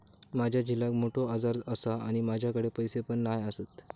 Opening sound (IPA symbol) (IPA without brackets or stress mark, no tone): m